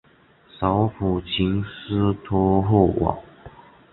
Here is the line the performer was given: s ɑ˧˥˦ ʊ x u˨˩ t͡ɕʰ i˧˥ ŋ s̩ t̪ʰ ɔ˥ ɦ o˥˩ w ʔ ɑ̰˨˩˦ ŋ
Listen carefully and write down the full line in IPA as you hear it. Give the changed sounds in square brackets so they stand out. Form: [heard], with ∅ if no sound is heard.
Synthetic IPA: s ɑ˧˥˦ ʊ [f] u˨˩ t͡ɕʰ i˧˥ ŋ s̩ t̪ʰ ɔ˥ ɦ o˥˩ w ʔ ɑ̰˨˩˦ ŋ